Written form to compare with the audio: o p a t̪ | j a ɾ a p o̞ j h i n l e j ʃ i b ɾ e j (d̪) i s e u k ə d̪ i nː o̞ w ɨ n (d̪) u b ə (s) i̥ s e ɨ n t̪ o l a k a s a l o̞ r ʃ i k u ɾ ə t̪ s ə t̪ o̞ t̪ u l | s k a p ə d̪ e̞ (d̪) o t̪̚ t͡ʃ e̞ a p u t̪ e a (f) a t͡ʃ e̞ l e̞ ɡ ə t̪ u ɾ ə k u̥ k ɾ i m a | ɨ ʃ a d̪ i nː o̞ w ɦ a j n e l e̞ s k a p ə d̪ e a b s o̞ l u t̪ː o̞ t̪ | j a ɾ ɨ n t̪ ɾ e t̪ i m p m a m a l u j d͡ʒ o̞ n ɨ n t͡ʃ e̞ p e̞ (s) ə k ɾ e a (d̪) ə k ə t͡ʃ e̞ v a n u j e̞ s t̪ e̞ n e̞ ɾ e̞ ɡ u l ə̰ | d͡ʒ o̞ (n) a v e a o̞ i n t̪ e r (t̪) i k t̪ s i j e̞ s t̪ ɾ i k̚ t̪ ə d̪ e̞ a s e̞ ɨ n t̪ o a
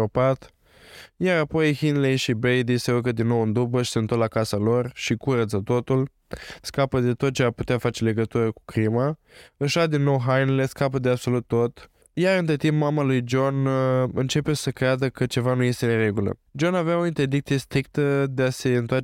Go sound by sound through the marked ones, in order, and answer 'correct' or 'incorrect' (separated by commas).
correct, correct, incorrect, incorrect, correct, correct, correct, correct, incorrect